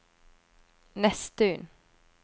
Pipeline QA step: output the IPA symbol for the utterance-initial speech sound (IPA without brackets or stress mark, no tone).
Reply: n